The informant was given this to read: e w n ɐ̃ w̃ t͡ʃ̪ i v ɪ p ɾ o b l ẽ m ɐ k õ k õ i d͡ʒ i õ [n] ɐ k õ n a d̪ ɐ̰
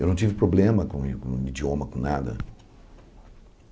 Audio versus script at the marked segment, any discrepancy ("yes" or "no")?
yes